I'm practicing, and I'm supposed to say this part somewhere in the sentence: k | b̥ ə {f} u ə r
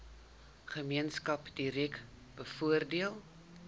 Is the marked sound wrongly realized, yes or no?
no